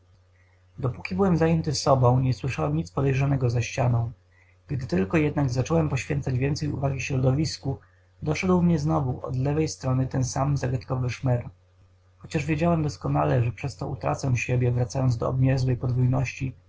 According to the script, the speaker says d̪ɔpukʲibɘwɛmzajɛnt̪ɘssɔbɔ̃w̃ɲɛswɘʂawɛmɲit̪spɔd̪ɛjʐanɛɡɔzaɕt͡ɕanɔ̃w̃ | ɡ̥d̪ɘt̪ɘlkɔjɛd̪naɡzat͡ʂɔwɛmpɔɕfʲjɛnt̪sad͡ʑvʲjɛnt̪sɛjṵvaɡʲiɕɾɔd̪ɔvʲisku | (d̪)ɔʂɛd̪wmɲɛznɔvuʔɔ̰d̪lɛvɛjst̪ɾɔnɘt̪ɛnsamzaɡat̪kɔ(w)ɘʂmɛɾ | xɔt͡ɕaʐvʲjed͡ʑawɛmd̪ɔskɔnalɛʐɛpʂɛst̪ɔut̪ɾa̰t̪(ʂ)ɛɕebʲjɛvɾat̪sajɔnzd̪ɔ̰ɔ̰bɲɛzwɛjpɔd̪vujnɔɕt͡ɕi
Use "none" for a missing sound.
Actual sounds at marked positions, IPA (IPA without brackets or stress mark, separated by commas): d̪, v, s